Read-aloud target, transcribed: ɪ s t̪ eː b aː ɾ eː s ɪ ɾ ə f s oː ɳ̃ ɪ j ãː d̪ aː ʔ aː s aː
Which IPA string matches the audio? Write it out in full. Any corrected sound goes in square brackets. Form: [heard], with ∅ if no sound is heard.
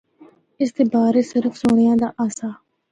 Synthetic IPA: ɪ s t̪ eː b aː ɾ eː s ɪ ɾ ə f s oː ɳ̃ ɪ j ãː d̪ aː ʔ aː s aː